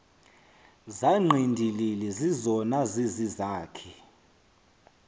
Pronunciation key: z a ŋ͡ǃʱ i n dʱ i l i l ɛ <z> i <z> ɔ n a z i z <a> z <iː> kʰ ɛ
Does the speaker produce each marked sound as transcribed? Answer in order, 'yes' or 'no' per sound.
yes, yes, no, no

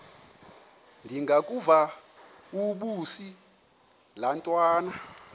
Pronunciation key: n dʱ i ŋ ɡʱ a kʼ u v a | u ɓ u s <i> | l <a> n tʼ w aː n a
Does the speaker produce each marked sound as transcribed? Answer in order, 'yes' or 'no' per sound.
yes, yes

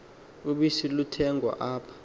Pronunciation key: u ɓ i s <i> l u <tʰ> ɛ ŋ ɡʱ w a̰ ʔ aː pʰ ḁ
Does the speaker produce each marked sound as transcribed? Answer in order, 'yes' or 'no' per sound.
yes, yes

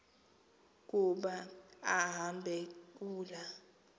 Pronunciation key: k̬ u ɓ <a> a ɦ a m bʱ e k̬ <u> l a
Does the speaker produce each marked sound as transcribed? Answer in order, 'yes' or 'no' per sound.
yes, no

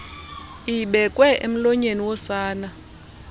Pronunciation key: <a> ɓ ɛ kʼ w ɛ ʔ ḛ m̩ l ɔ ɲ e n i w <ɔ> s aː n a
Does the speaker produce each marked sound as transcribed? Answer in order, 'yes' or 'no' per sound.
no, yes

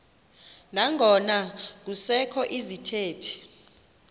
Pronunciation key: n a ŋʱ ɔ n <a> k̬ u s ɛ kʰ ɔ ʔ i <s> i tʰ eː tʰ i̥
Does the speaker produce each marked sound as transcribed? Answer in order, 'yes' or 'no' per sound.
yes, no

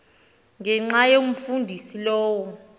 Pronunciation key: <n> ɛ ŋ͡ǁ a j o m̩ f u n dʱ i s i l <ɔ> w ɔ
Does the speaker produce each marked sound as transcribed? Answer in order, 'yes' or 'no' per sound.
no, no

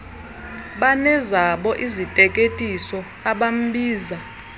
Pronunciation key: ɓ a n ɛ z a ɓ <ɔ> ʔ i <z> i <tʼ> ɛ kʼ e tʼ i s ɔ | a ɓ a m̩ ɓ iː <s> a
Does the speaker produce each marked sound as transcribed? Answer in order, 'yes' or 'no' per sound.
yes, yes, yes, no

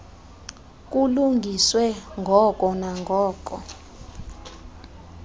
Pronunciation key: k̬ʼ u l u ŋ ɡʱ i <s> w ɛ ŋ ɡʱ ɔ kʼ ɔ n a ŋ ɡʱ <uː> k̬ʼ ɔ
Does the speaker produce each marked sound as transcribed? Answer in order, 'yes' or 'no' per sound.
yes, no

